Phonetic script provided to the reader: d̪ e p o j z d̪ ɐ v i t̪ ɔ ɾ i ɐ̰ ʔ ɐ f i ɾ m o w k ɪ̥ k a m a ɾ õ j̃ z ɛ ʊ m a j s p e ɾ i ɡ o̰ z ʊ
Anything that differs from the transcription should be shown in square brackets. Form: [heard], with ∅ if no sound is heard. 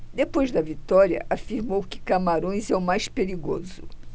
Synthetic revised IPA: d̪ e p o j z d̪ ɐ v i t̪ ɔ ɾ i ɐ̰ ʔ [a] f i ɾ m o w k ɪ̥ k a m a ɾ õ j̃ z ɛ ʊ m a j s p e ɾ i ɡ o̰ z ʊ